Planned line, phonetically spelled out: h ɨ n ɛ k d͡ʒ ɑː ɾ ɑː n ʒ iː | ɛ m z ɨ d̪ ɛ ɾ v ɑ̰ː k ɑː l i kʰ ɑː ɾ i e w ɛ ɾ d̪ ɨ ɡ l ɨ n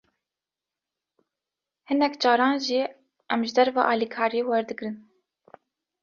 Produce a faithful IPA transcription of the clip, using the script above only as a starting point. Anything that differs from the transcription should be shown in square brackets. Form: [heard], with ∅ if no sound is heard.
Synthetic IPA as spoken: h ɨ n ɛ k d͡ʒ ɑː ɾ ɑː n ʒ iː | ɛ m [ʒ] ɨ d̪ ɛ ɾ v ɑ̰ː [ʔ] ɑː l i kʰ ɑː ɾ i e w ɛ ɾ d̪ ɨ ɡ [ɾ] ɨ n